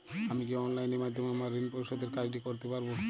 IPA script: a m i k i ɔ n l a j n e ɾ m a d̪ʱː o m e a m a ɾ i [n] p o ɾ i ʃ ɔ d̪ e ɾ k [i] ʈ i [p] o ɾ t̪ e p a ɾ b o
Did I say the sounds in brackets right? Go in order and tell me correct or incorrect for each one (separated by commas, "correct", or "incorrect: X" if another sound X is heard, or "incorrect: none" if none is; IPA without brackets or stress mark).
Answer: correct, incorrect: a, incorrect: k